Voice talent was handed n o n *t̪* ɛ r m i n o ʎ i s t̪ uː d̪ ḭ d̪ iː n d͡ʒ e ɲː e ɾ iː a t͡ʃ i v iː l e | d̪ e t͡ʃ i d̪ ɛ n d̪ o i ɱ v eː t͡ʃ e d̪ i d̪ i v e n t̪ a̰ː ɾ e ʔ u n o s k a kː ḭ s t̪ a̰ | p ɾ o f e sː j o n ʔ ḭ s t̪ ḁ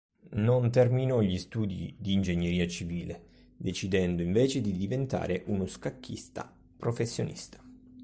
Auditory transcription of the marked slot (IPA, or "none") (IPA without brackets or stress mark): t̪